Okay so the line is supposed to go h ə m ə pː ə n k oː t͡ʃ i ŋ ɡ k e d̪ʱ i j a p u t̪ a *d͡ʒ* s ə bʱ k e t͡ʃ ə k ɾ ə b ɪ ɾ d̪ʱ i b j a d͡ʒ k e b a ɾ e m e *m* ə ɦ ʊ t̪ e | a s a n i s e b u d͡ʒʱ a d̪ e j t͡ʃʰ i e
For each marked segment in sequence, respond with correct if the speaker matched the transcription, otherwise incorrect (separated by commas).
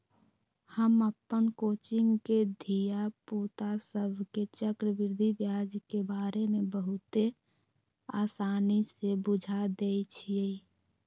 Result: incorrect, incorrect